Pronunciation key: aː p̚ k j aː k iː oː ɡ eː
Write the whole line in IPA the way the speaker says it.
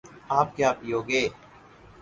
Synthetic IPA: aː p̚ k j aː p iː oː ɡ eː